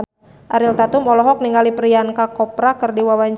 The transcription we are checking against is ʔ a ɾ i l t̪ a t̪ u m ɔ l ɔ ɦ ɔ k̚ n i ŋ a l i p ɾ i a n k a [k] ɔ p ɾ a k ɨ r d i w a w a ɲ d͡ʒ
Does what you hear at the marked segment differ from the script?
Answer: no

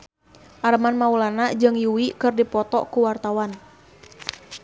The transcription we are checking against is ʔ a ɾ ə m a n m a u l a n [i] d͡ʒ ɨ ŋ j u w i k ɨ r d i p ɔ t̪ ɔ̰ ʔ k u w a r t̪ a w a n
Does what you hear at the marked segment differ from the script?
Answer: yes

